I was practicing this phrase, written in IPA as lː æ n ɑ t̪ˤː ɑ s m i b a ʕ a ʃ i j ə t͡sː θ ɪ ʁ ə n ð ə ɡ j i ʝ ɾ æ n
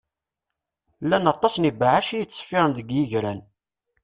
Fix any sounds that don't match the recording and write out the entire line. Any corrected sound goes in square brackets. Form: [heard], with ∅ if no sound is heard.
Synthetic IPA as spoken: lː æ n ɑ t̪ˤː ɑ s [n] i b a ʕ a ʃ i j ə t͡sː [f] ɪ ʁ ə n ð ə ɡ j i ʝ ɾ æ n